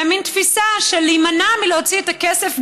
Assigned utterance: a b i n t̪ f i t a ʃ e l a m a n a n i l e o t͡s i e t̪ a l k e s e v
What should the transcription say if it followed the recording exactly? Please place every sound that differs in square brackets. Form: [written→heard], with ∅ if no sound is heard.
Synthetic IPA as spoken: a [b→m] i n t̪ f i [t→s] a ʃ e l [a→i] m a n a [n→m] i l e o t͡s i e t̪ a [l→∅] k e s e [v→f]

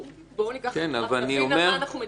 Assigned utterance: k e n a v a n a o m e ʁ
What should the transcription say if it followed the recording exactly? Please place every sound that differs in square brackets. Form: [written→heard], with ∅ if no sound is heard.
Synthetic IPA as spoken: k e n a v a n [a→i] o m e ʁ

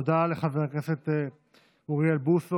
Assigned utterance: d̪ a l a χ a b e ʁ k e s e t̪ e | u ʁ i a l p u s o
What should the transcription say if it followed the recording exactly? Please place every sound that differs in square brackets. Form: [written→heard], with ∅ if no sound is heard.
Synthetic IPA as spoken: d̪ a l [a→e] χ a [b→v] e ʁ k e s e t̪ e | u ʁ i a l [p→b] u s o

